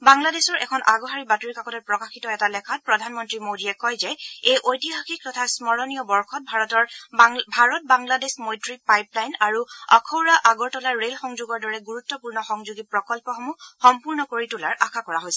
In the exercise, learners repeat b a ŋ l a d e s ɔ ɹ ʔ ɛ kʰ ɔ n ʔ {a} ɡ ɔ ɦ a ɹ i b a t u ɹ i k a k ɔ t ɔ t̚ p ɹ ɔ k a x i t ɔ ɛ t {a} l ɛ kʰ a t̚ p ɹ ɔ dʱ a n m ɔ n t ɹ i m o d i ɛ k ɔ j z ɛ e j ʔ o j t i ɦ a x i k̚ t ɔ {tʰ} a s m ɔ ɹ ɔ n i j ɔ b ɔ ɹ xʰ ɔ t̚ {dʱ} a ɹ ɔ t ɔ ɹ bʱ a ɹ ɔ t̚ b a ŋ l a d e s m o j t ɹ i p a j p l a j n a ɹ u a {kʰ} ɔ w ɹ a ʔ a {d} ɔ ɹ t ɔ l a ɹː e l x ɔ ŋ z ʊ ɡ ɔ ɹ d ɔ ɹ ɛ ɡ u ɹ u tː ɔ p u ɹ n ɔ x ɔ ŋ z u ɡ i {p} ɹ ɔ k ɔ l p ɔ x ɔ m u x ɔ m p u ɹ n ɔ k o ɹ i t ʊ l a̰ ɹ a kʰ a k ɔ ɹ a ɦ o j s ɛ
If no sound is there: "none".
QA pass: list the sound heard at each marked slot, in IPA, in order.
a, a, tʰ, bʱ, kʰ, ɡ, p

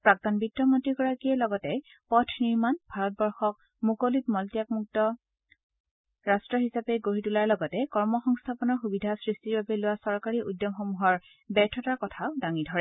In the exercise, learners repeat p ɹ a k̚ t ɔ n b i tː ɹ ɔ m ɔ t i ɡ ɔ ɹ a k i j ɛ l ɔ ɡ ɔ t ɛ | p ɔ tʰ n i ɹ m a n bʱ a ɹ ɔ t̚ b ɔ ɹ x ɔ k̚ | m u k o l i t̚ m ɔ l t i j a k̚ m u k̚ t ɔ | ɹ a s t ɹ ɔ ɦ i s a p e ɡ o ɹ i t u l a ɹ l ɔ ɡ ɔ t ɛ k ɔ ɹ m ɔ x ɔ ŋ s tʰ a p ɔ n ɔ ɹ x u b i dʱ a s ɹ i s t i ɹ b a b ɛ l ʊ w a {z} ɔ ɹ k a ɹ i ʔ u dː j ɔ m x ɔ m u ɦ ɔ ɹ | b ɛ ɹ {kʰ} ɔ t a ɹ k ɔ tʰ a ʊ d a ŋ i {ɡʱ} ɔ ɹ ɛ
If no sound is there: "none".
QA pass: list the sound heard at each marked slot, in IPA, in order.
s, tʰ, dʱ

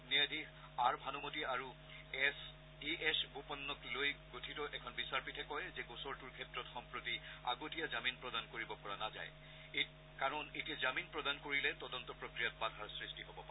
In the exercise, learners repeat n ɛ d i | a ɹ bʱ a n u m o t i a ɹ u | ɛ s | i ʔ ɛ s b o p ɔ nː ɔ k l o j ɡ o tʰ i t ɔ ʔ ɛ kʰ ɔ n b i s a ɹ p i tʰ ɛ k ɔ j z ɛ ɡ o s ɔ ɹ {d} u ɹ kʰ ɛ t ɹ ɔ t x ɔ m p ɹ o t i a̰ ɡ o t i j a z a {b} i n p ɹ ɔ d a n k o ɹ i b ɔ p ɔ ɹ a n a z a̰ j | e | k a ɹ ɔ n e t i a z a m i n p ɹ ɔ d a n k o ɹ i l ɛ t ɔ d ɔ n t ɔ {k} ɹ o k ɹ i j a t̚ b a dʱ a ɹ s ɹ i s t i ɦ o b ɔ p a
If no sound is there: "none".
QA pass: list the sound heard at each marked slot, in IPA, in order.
t, m, p

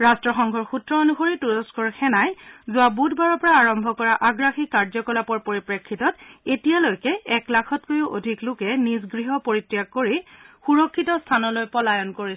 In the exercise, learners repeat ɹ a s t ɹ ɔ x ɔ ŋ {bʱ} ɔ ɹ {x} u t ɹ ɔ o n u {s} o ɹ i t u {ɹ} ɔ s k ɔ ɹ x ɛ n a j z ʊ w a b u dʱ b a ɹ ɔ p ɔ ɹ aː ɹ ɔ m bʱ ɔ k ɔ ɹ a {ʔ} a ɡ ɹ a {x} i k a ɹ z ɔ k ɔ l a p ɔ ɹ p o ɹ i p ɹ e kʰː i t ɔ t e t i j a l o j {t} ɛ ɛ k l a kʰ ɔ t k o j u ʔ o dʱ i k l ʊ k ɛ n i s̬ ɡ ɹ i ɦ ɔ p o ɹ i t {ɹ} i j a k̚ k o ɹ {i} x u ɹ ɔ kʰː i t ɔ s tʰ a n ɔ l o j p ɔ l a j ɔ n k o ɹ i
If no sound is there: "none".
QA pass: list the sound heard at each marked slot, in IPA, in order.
ɡʱ, x, x, ɹ, ʔ, x, k, ɹ, i

